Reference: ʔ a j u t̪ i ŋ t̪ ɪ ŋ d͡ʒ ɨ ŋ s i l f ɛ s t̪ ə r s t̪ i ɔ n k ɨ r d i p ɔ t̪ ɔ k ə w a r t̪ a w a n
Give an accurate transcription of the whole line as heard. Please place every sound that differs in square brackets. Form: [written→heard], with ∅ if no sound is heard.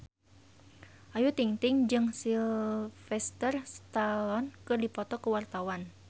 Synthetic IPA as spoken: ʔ a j u t̪ i ŋ t̪ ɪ ŋ d͡ʒ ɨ ŋ s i l f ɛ s t̪ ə r s t̪ [i→a] ɔ n k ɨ r d i p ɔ t̪ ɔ k ə w a r t̪ a w a n